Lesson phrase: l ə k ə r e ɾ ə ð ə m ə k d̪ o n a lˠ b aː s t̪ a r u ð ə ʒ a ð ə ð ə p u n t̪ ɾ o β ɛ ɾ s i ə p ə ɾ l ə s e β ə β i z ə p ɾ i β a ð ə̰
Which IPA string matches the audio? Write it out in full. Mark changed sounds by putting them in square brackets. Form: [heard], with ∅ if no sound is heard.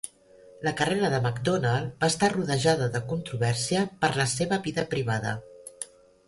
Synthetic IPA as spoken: l ə k ə r e ɾ ə ð ə m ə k d̪ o n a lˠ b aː s t̪ a r u ð ə ʒ a ð ə ð ə [k] u n t̪ ɾ [u] β ɛ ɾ s i ə p ə ɾ l ə s e β ə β i [ð] ə p ɾ i β a ð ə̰